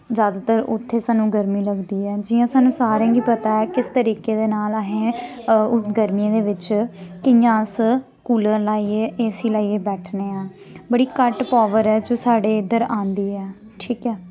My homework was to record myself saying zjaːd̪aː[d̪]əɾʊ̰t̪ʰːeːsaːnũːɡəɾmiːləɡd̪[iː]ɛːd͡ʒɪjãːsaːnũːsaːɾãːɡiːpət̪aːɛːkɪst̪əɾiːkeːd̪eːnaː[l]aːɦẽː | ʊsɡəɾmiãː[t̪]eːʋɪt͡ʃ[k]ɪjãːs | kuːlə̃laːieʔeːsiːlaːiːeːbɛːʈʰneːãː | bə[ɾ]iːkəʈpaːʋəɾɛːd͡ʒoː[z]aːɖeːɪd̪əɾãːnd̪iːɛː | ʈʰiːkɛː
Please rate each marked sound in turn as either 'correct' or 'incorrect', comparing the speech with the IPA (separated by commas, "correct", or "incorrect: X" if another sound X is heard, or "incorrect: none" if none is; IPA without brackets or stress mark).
incorrect: t̪, correct, correct, incorrect: d̪, correct, incorrect: ɽ, incorrect: s